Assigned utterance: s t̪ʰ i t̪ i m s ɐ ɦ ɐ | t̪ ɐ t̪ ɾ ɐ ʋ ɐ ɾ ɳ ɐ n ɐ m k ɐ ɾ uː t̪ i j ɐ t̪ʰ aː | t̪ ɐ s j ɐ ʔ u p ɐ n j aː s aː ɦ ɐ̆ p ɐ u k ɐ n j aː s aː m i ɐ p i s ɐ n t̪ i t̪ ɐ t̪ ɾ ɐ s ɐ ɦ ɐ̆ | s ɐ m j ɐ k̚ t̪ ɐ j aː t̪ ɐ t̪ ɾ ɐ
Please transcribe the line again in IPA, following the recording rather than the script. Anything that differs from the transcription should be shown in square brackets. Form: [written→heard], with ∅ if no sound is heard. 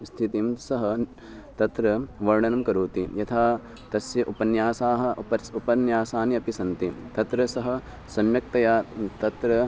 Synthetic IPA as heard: s t̪ʰ i t̪ i m s ɐ ɦ ɐ | t̪ ɐ t̪ ɾ ɐ ʋ ɐ ɾ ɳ ɐ n ɐ m k ɐ ɾ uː t̪ i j ɐ t̪ʰ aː | t̪ ɐ s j ɐ ʔ u p ɐ n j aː s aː ɦ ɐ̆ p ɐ u [k→p] ɐ n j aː s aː [m→n] i ɐ p i s ɐ n t̪ i t̪ ɐ t̪ ɾ ɐ s ɐ ɦ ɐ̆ | s ɐ m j ɐ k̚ t̪ ɐ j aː t̪ ɐ t̪ ɾ ɐ